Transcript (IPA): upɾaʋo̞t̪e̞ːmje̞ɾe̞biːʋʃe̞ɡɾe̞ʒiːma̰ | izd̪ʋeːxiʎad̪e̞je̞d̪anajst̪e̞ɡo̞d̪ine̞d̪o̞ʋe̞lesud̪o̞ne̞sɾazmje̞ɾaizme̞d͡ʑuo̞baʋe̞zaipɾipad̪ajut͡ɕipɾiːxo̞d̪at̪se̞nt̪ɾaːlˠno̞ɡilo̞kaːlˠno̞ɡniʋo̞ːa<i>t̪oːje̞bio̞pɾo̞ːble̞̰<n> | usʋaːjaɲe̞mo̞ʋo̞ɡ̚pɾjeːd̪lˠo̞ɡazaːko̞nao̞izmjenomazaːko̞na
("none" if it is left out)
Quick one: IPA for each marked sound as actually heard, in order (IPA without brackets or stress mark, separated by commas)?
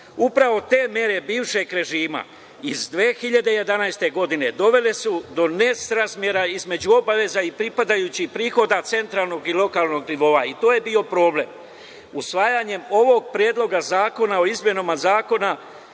i, m